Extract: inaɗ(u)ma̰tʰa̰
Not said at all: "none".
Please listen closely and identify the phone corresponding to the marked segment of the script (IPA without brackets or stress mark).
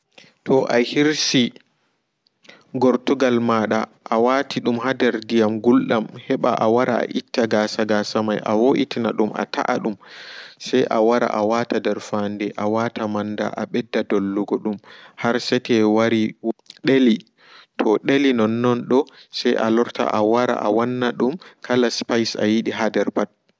u